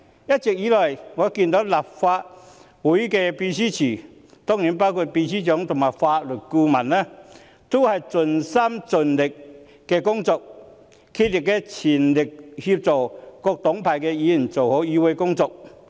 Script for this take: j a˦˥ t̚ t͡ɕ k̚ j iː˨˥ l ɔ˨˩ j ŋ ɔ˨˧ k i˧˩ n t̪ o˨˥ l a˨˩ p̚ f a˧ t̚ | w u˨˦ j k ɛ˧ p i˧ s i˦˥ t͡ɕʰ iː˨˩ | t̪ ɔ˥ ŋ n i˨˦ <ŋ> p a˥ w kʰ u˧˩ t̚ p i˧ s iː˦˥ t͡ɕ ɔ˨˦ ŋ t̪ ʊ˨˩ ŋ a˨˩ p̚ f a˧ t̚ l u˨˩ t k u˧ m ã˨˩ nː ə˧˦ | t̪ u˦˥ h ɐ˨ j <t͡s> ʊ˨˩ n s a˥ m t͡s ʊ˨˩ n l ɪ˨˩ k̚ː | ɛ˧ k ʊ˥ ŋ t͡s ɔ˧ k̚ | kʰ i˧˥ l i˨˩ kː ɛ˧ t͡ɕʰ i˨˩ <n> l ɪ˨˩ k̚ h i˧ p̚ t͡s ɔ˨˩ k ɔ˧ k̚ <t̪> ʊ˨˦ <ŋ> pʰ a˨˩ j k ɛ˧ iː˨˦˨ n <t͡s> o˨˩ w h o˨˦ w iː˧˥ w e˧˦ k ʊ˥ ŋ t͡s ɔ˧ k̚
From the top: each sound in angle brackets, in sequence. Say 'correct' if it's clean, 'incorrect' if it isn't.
incorrect: n, correct, correct, correct, correct, correct

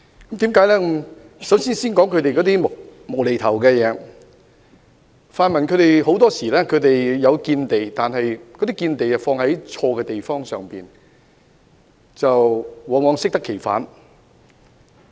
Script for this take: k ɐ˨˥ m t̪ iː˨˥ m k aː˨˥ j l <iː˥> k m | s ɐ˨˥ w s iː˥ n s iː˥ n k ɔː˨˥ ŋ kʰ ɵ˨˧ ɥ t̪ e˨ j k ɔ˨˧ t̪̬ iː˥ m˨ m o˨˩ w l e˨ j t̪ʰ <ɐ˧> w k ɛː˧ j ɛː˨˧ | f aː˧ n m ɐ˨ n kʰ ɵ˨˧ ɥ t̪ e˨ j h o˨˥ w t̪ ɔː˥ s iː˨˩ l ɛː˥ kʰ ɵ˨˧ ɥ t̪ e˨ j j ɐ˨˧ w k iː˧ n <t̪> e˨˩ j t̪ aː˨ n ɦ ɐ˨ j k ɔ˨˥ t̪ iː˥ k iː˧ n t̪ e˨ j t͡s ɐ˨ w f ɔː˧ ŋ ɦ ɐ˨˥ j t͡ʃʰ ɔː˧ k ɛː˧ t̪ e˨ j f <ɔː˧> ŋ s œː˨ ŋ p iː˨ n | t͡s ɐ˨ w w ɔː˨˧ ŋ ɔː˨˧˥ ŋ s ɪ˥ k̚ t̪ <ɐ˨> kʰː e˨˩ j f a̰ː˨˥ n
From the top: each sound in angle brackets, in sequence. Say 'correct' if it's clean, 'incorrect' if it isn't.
incorrect: ɛː˥, incorrect: ɐ˨˩, correct, incorrect: ɔː˥, incorrect: ɐ˥

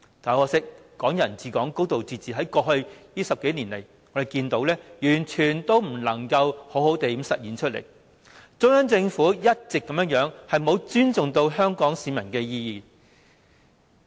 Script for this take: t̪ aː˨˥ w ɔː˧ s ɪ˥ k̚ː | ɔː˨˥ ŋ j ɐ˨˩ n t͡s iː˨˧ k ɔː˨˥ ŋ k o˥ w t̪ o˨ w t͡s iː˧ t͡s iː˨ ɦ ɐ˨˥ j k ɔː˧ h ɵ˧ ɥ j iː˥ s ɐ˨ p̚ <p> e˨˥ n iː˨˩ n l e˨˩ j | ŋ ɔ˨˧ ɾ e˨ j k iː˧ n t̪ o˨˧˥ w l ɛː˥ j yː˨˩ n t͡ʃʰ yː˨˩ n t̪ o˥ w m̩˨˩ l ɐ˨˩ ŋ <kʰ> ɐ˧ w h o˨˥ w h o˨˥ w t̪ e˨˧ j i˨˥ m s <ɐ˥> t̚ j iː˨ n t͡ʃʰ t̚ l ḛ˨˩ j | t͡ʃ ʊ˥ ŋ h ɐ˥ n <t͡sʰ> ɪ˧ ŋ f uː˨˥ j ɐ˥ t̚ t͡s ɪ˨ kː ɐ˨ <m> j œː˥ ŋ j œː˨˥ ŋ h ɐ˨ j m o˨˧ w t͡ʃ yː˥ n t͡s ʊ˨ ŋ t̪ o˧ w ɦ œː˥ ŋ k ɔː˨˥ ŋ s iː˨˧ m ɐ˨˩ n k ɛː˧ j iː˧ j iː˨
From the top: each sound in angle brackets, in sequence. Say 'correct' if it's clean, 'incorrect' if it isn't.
incorrect: k, incorrect: k, incorrect: ɐ˨, incorrect: t͡s, correct

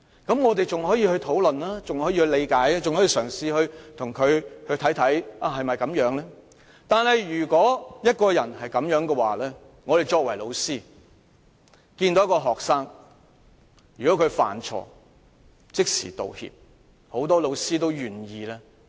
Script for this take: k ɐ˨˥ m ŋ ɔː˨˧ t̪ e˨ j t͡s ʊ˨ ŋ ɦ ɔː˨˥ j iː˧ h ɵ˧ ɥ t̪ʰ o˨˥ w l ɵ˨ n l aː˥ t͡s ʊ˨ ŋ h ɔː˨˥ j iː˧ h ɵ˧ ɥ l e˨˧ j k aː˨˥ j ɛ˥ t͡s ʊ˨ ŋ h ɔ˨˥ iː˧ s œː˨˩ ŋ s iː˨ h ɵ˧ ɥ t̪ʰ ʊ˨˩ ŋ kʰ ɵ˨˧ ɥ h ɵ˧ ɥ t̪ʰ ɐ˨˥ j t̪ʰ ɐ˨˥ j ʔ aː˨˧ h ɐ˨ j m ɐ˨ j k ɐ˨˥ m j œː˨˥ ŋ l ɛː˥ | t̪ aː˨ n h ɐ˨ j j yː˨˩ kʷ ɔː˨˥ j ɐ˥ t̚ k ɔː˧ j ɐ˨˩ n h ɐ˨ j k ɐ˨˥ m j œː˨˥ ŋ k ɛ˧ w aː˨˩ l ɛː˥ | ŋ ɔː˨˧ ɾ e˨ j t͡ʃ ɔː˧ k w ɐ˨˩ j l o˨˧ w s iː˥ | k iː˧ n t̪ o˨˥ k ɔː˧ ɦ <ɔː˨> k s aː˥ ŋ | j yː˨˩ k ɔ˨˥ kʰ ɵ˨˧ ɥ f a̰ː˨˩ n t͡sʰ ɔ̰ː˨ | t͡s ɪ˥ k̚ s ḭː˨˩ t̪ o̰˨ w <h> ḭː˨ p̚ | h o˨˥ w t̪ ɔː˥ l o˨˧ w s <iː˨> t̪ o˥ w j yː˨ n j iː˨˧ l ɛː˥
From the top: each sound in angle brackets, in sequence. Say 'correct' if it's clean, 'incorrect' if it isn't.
correct, correct, incorrect: iː˥

